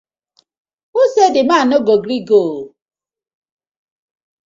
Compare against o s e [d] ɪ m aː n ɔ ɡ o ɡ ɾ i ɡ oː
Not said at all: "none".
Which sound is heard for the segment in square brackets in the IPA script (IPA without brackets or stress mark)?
d